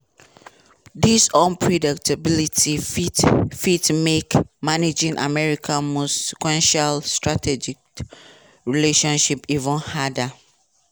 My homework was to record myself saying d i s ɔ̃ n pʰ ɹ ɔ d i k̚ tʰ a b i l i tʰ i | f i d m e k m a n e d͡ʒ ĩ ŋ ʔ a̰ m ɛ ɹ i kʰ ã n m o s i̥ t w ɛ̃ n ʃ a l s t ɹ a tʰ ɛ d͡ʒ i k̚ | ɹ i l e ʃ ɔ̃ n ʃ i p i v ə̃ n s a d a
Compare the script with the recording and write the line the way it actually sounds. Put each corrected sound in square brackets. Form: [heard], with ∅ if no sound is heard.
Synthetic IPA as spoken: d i s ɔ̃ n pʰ ɹ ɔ d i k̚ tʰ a b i l i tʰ i | f i [t] m e k m a n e d͡ʒ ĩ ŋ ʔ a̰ m ɛ ɹ i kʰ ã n m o s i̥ [k] w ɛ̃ n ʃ a l s t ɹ a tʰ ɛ d͡ʒ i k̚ | ɹ i l e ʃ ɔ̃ n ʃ i p i v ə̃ n [h] a d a